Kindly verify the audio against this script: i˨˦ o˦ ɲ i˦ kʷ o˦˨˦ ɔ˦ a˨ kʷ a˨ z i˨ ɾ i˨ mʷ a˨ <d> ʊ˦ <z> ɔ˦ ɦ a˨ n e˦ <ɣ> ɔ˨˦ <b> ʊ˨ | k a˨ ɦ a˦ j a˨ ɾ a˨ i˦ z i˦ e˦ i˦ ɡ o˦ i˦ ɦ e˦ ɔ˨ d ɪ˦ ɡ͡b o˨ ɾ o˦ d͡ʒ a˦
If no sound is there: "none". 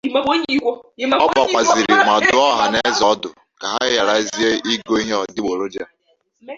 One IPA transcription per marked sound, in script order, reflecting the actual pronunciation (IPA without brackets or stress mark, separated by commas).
d, none, z, d